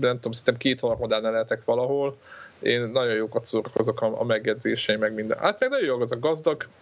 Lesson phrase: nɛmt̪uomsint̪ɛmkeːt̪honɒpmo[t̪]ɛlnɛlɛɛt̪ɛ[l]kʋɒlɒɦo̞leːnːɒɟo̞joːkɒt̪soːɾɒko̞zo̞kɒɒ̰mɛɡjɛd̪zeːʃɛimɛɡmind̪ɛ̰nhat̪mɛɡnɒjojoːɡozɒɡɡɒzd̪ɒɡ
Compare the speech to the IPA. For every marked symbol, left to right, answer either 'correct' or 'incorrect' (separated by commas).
incorrect, incorrect